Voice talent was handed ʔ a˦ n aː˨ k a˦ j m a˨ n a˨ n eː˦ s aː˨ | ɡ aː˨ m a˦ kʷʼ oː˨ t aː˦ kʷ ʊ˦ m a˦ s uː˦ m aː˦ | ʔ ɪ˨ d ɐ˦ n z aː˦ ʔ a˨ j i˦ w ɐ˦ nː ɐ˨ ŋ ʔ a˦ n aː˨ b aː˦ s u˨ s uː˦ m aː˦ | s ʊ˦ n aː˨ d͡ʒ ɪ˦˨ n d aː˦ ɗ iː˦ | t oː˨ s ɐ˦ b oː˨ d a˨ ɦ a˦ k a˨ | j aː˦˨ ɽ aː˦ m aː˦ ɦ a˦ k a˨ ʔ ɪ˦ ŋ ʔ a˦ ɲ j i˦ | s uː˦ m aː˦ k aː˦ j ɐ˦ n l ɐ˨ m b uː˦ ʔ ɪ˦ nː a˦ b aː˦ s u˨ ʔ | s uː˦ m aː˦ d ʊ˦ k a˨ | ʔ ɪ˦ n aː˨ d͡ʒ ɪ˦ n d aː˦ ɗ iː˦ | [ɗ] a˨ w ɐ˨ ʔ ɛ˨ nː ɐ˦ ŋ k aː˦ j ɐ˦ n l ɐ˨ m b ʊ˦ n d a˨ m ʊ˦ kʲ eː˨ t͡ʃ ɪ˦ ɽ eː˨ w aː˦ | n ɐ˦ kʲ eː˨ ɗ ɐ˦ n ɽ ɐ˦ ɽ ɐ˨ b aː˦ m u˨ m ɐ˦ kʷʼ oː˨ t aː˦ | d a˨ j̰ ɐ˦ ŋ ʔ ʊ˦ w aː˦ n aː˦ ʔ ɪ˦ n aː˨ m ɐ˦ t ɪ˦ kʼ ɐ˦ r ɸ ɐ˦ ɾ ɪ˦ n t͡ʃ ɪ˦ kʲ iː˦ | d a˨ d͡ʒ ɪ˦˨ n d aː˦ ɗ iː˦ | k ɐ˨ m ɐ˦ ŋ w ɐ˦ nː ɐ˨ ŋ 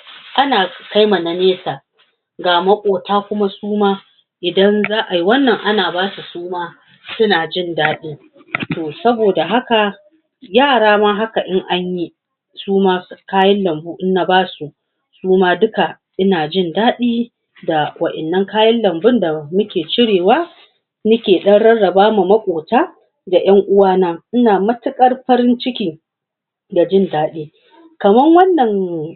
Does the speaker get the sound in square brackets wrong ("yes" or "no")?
yes